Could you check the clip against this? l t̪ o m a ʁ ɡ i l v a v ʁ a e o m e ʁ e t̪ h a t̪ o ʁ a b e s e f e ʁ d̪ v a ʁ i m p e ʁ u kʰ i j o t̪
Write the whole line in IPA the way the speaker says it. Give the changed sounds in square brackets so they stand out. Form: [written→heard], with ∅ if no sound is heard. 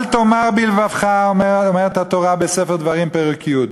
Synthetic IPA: l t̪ o m a ʁ [ɡ→b] i l v a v [ʁ→χ] a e o m e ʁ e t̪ h a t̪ o ʁ a b e s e f e ʁ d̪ v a ʁ i m p e ʁ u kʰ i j [o→u] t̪